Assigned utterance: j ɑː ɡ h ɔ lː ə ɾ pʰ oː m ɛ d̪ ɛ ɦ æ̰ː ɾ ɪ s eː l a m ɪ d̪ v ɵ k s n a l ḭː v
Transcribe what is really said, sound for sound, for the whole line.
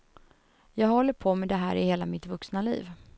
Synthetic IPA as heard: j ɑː ɡ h ɔ lː ə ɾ pʰ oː m ɛ d̪ ɛ ɦ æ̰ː ɾ ɪ h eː l a m ɪ t̪ v ɵ k s n a l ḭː v